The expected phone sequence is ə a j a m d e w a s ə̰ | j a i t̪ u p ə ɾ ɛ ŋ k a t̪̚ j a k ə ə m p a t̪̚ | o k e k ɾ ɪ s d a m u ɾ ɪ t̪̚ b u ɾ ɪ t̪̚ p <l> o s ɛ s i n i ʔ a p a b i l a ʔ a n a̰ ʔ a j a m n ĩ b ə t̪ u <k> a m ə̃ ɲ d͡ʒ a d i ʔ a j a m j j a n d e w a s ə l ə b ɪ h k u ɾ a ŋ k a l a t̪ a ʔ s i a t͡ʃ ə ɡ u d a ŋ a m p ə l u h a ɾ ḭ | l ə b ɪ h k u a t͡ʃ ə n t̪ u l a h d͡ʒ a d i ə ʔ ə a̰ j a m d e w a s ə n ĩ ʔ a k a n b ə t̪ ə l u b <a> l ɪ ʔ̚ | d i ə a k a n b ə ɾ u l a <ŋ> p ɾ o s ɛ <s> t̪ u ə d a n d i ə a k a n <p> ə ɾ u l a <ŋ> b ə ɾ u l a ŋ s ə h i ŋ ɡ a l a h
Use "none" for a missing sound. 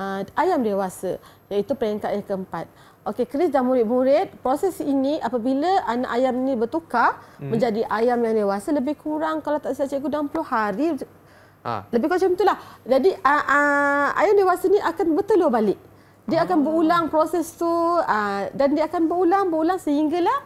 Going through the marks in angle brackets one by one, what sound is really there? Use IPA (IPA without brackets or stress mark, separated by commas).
ɾ, k, a, ŋ, s, b, ŋ